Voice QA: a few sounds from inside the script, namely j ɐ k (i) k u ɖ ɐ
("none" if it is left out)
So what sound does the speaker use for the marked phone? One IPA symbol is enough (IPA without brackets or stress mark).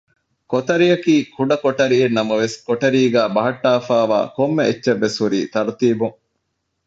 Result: iː